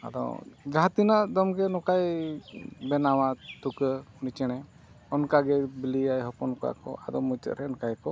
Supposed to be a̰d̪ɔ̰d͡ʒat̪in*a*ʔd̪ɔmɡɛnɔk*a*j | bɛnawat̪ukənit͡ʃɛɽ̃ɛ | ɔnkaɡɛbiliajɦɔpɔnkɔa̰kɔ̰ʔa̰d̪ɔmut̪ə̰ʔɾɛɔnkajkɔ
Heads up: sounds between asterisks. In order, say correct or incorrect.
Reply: correct, correct

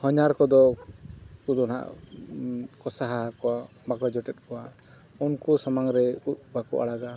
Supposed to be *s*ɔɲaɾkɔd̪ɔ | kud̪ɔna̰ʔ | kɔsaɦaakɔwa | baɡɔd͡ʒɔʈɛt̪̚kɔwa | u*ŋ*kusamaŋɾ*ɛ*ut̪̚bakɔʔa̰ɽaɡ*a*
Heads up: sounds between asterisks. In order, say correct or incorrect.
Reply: incorrect, incorrect, correct, correct

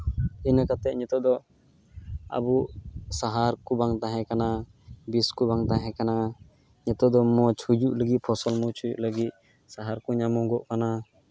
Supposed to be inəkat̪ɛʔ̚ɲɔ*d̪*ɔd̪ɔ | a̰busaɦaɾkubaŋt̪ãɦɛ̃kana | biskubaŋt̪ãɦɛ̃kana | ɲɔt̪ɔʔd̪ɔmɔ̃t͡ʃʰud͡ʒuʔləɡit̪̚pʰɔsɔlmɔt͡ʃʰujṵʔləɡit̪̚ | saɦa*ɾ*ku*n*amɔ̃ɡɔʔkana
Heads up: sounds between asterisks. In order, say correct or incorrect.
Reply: incorrect, correct, incorrect

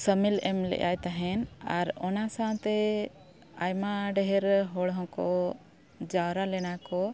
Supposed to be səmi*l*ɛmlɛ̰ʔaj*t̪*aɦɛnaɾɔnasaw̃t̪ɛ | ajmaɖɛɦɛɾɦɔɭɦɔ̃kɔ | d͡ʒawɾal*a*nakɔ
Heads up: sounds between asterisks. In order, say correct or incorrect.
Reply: correct, correct, incorrect

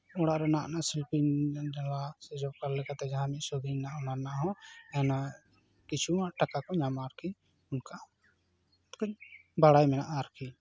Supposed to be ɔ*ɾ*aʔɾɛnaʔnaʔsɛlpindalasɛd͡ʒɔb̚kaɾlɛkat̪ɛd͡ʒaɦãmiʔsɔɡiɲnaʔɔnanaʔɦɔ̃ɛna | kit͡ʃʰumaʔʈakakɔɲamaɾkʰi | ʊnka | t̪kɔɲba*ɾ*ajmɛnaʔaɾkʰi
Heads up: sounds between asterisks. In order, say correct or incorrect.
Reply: incorrect, incorrect

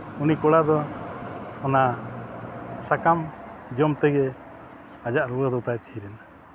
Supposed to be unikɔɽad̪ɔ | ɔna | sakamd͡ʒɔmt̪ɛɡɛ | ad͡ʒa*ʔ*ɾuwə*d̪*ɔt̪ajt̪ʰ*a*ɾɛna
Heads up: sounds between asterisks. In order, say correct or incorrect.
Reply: correct, correct, incorrect

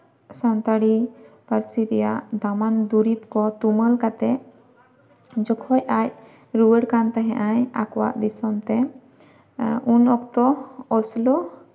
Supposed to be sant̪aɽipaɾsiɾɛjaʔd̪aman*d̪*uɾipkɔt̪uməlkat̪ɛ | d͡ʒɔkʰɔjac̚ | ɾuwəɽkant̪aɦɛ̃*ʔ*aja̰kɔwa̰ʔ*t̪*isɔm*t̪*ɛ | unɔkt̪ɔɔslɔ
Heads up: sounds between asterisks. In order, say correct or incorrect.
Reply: correct, correct, incorrect, correct

